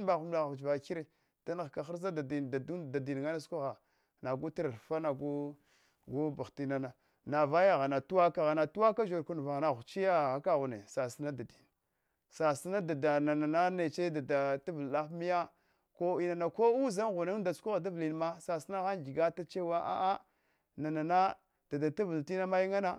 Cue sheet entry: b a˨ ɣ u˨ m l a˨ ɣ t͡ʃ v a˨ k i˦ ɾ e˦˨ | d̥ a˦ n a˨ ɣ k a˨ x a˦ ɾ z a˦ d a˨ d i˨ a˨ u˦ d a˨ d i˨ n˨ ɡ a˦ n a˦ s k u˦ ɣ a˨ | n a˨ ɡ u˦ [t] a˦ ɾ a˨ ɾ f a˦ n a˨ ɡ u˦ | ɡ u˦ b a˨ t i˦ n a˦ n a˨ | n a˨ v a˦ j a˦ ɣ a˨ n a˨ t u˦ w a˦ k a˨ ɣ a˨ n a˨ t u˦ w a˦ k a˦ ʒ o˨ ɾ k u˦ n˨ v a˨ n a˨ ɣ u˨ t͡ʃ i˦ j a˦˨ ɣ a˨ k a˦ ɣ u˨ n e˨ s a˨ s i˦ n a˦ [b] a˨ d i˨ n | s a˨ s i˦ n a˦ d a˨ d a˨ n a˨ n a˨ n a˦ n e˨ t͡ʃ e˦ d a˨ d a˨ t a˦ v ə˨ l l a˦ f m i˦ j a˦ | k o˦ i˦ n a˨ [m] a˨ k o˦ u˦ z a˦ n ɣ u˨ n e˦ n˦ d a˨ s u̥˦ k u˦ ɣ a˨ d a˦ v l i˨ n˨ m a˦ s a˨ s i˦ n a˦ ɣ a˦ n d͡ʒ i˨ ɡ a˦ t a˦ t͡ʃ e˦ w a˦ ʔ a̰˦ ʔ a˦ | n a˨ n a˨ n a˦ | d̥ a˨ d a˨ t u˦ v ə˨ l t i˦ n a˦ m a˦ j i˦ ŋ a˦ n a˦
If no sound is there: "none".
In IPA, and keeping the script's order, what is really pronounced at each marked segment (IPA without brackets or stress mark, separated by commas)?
t, d, n